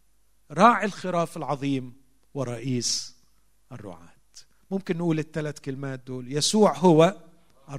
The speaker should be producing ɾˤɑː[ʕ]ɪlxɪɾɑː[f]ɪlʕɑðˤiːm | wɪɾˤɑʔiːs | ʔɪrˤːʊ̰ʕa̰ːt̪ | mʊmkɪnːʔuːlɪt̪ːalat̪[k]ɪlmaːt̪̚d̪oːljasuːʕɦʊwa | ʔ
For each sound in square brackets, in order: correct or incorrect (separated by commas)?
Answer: correct, correct, correct